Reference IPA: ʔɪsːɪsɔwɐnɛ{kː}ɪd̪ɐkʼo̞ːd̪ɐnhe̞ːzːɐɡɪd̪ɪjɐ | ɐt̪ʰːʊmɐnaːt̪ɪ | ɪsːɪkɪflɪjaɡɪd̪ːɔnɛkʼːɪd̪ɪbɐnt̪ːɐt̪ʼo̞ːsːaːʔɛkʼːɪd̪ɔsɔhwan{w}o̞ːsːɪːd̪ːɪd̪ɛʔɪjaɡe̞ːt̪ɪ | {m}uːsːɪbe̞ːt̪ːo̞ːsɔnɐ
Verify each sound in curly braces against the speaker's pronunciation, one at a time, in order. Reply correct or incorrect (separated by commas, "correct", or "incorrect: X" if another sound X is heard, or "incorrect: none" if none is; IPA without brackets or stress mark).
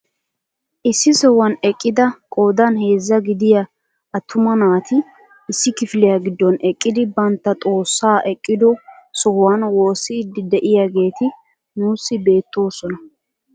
incorrect: kʼː, correct, incorrect: n